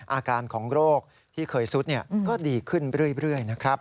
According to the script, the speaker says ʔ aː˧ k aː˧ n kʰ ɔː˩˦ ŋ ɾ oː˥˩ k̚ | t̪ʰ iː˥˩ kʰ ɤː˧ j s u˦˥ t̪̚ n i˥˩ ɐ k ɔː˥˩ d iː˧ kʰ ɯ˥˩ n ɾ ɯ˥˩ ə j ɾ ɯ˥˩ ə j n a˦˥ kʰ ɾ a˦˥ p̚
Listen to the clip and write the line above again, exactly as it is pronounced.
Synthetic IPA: ʔ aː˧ k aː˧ n kʰ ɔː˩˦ ŋ ɾ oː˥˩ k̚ | t̪ʰ iː˥˩ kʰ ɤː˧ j s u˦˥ t̪̚ n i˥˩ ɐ k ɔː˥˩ d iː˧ kʰ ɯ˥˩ n ɾ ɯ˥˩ ə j ɾ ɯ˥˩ ə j n a˦˥ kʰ ɾ a˦˥ p̚